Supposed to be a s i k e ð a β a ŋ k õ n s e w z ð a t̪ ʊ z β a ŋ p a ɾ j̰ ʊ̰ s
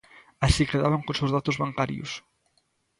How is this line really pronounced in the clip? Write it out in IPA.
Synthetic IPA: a s i k e ð a β a ŋ k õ n s e w z ð a t̪ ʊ z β a ŋ k a ɾ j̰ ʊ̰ s

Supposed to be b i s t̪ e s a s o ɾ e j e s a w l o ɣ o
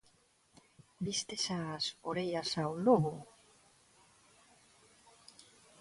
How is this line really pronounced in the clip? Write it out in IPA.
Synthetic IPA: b i s t̪ e s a s o ɾ e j a s a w l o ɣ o

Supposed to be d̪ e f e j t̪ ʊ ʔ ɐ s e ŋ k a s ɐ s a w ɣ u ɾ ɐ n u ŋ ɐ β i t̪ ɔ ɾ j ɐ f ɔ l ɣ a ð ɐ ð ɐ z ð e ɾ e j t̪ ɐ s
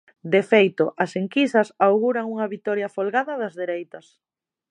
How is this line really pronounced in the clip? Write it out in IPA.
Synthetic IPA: d̪ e f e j t̪ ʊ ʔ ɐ s e ŋ k i s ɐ s a w ɣ u ɾ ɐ ŋ u ŋ ɐ β i t̪ ɔ ɾ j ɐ f o l ɣ a ð ɐ ð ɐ z ð e ɾ e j t̪ ɐ s

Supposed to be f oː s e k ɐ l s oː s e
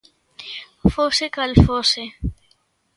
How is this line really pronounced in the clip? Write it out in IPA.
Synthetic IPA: f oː s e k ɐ l f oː s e

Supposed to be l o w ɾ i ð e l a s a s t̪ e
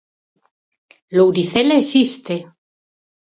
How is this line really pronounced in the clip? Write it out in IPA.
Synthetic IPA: l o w ɾ i θ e l e s i s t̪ e

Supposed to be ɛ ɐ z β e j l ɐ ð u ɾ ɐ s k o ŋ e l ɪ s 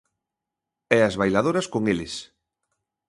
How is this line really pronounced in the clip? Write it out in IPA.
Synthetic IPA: ɛ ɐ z β a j l a ð o ɾ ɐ s k o ŋ e l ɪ s

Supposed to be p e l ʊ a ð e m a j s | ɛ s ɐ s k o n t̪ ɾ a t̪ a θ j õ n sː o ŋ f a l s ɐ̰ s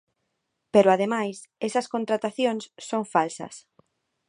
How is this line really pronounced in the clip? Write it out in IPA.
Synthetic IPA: p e ɾ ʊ a ð e m a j s | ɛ s ɐ s k o n t̪ ɾ a t̪ a θ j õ ŋ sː o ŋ f a l s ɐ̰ s

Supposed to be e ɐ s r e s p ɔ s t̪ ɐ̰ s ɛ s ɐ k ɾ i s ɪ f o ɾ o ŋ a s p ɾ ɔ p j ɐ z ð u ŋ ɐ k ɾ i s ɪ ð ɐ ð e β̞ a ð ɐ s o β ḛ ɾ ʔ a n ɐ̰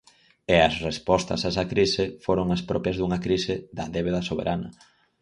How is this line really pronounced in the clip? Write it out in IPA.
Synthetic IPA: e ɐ s r e s p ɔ s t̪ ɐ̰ s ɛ s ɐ k ɾ i s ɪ f o ɾ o ŋ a s p ɾ ɔ p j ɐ z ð u ŋ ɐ k ɾ i s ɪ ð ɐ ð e β̞ e ð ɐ s o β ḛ ɾ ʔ a n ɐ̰

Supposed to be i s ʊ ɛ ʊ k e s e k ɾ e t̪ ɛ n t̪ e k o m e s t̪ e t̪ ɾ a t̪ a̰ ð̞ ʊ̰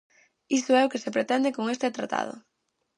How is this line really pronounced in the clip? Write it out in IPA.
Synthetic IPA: i s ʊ ɛ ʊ k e s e p ɾ e t̪ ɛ n d̪ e k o ŋ e s t̪ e t̪ ɾ a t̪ a̰ ð̞ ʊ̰

